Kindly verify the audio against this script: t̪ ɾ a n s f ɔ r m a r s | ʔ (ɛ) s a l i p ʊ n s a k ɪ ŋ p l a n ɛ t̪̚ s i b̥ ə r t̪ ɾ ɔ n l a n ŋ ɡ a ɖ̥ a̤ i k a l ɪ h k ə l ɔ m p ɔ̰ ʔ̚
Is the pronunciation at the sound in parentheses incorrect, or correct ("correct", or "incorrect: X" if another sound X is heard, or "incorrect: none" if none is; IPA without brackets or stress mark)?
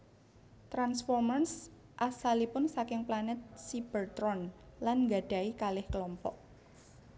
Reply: incorrect: a